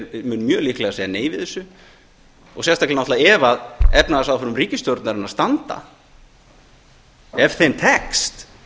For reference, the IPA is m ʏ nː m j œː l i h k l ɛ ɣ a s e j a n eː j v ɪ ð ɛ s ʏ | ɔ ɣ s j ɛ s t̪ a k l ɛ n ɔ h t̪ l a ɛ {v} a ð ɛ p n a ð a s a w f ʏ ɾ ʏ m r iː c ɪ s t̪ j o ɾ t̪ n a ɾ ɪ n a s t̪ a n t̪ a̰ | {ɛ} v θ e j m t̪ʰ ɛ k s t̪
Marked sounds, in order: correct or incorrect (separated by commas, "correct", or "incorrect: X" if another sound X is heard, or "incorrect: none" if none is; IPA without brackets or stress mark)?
correct, correct